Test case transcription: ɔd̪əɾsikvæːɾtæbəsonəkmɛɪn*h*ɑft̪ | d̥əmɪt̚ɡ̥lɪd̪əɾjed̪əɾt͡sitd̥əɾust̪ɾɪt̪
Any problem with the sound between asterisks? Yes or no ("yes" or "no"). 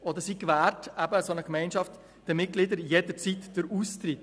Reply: yes